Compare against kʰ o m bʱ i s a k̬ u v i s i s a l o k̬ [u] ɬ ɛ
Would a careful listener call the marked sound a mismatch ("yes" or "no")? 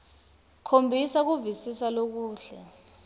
yes